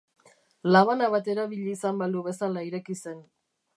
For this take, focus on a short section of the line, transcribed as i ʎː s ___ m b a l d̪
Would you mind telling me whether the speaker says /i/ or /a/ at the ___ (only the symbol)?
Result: a